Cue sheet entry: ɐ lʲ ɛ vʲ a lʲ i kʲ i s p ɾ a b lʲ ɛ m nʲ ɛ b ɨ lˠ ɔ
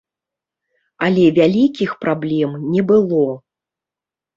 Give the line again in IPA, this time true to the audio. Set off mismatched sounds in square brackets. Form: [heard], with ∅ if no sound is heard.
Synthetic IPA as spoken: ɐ lʲ ɛ vʲ a lʲ i kʲ i [x] p ɾ a b lʲ ɛ m nʲ ɛ b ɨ lˠ ɔ